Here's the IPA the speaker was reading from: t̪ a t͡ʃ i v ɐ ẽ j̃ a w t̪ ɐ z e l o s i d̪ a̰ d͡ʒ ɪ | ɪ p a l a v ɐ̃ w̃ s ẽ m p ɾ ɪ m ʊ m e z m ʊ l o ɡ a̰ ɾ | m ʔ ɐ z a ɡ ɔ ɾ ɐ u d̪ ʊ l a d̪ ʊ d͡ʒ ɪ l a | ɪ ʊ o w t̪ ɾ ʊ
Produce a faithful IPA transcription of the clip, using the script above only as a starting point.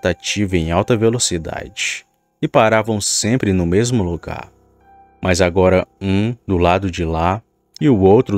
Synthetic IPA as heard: t̪ a t͡ʃ i v ɐ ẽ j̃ a w t̪ ɐ v e l o s i d̪ a̰ d͡ʒ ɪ | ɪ p a ɾ a v ɐ̃ w̃ s ẽ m p ɾ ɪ n ʊ m e z m ʊ l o ɡ a̰ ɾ | m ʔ ɐ z a ɡ ɔ ɾ ɐ ũ d̪ ʊ l a d̪ ʊ d͡ʒ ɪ l a | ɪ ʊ o w t̪ ɾ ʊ